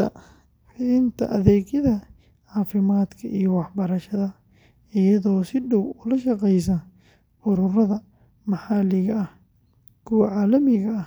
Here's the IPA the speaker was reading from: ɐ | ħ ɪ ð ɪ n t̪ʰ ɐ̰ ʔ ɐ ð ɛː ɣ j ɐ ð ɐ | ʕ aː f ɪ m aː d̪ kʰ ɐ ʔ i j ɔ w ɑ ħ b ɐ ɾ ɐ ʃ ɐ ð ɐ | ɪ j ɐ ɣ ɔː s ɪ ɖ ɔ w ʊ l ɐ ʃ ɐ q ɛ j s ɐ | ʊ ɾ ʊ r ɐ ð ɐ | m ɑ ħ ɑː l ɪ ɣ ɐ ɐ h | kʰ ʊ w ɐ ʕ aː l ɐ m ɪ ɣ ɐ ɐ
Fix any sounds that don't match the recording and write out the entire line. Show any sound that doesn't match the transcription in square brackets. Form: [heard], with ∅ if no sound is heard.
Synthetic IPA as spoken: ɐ | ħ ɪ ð ɪ n t̪ʰ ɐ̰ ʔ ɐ ð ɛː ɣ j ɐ ð ɐ | ʕ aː f ɪ m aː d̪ kʰ ɐ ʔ i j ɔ w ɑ ħ b ɐ ɾ ɐ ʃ ɐ ð ɐ | ɪ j ɐ [ð] ɔː s ɪ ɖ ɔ w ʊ l ɐ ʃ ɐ q ɛ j s ɐ | ʊ ɾ ʊ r ɐ ð ɐ | m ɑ ħ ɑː l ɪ ɣ ɐ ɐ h | kʰ ʊ w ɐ ʕ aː l ɐ m ɪ ɣ ɐ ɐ